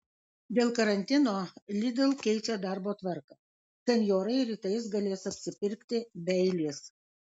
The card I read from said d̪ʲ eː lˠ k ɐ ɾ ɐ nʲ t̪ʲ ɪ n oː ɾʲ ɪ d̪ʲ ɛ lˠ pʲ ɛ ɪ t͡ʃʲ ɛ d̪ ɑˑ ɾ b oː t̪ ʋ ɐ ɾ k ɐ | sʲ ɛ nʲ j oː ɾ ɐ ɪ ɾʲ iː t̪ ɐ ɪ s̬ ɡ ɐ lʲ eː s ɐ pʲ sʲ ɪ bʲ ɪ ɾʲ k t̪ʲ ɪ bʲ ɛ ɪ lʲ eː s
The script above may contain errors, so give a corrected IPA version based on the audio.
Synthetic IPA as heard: d̪ʲ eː lˠ k ɐ ɾ ɐ nʲ t̪ʲ ɪ n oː lʲ ɪ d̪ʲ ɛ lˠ kʲ ɛ ɪ t͡ʃʲ ɛ d̪ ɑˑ ɾ b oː t̪ ʋ ɐ ɾ k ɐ | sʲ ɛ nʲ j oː ɾ ɐ ɪ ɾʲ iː t̪ ɐ ɪ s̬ ɡ ɐ lʲ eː s ɐ pʲ sʲ ɪ pʲ ɪ ɾʲ k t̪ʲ ɪ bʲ ɛ ɪ lʲ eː s